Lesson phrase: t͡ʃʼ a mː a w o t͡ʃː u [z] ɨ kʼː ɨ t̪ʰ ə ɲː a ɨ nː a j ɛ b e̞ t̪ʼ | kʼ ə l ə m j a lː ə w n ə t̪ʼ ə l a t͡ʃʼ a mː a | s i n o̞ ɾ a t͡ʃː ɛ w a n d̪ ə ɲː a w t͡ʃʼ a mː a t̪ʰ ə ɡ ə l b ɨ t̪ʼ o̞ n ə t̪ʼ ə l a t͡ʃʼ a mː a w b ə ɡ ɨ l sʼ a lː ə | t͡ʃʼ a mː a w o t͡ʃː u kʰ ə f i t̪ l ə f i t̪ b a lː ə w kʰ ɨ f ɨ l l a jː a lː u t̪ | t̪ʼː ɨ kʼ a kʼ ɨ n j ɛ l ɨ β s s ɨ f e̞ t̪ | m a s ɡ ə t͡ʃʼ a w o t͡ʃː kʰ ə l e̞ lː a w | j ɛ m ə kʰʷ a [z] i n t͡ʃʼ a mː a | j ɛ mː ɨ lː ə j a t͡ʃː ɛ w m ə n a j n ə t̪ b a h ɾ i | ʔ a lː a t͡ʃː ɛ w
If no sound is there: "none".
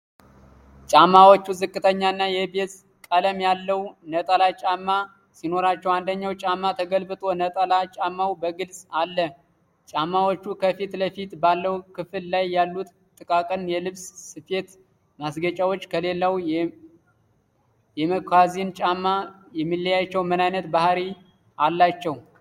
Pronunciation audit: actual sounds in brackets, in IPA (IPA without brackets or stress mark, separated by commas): z, z